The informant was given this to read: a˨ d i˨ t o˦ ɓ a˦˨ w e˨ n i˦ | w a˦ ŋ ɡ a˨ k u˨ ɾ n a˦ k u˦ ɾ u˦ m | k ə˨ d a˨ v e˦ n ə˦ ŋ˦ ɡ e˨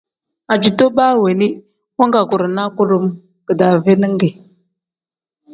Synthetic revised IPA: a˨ d͡ʒ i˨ t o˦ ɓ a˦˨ w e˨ n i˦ | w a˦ ŋ ɡ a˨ k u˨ ɾ n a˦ k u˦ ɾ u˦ m | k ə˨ d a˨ v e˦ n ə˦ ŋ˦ ɡ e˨